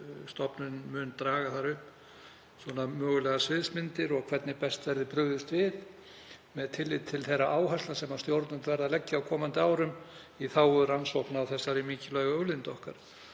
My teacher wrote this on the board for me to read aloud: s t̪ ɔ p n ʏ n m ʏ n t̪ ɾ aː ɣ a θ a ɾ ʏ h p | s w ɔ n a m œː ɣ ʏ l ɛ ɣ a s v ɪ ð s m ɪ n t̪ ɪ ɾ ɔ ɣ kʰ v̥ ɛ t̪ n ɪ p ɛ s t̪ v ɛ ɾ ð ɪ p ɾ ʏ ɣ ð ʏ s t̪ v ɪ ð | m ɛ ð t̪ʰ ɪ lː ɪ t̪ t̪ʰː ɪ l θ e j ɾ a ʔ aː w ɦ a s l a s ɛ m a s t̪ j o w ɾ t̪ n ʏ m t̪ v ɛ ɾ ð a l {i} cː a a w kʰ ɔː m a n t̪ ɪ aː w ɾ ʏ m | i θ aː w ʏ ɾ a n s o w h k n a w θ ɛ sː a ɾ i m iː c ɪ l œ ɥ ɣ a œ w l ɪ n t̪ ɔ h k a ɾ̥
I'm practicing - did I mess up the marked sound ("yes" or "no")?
yes